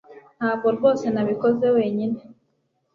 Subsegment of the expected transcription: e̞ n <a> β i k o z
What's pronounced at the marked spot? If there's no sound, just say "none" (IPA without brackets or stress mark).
a